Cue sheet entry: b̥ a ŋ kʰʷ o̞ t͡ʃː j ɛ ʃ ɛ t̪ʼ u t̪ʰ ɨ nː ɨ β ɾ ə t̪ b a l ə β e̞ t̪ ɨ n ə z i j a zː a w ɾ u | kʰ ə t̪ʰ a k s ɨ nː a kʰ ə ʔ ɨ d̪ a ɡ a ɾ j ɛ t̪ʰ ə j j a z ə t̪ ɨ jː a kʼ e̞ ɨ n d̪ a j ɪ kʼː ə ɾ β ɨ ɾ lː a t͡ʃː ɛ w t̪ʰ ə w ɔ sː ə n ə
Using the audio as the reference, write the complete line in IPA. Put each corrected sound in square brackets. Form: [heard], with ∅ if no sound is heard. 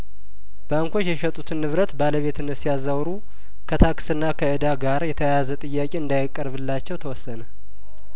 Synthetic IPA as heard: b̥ a ŋ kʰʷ o̞ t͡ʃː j ɛ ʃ ɛ t̪ʼ u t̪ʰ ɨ nː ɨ β ɾ ə t̪ b a l ə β e̞ t̪ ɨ n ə [s] i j a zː a w ɾ u | kʰ ə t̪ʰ a k s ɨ nː a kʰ ə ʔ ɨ d̪ a ɡ a ɾ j ɛ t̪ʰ ə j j a z ə [t̪ʼ] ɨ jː a kʼ e̞ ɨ n d̪ a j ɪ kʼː ə ɾ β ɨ [∅] lː a t͡ʃː ɛ w t̪ʰ ə w ɔ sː ə n ə